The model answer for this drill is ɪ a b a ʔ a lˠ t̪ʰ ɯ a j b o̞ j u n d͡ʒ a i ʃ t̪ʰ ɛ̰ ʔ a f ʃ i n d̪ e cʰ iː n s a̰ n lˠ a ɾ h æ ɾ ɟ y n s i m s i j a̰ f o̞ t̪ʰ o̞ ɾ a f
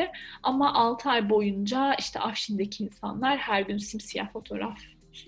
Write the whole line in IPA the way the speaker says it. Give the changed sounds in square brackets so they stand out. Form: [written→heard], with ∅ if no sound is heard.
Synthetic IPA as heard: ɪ a [b→m] a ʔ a lˠ t̪ʰ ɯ a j b o̞ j u n d͡ʒ a i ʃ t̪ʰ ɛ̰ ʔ a f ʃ i n d̪ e cʰ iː n s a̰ n lˠ a ɾ h æ ɾ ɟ y n s i m s i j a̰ f o̞ t̪ʰ o̞ ɾ a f